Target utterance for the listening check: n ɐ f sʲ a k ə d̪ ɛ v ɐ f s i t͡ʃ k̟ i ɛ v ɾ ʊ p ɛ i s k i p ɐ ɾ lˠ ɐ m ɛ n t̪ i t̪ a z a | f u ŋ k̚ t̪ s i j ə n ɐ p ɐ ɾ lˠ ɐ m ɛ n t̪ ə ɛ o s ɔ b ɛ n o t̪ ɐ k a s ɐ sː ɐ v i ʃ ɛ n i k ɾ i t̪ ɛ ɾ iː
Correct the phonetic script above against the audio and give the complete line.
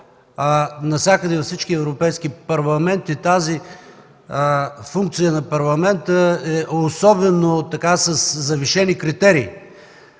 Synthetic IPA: n ɐ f sʲ a k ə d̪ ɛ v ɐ f s i t͡ʃ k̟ i ɛ v ɾ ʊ p ɛ j s k i p ɐ ɾ lˠ ɐ m ɛ n t̪ i t̪ a z i | f u ŋ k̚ t̪ s i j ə n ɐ p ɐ ɾ lˠ ɐ m ɛ n t̪ ə ɛ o s ɔ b ɛ n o t̪ ɐ k a s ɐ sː ɐ v i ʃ ɛ n i k ɾ i t̪ ɛ ɾ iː